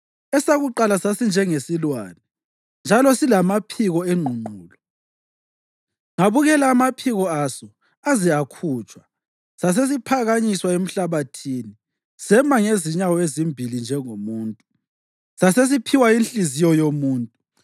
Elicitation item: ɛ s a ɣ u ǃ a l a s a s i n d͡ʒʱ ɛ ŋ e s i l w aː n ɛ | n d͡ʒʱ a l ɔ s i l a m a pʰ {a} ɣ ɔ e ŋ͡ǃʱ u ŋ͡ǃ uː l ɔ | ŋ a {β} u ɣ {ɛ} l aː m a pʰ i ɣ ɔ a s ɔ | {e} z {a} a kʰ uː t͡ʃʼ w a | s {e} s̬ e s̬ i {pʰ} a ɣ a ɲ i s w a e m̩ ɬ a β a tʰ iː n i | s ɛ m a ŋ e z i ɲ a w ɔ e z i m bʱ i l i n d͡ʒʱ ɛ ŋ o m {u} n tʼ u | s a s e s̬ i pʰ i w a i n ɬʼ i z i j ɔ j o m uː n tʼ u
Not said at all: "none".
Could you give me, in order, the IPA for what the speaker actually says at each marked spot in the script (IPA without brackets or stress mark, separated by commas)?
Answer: i, β, ɛ, a, i, a, pʰ, uː